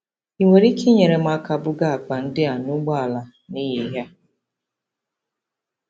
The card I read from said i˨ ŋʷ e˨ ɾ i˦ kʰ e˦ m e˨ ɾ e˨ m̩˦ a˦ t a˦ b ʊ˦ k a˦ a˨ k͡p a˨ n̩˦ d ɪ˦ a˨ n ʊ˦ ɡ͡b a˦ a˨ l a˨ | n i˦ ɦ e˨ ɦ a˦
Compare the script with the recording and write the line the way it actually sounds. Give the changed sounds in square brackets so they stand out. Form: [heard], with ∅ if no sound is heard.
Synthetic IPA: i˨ ŋʷ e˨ ɾ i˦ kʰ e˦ [ɲ] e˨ ɾ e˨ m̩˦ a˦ [k] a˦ b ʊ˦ [ɡ] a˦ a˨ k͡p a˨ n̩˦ d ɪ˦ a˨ n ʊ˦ ɡ͡b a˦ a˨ l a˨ | n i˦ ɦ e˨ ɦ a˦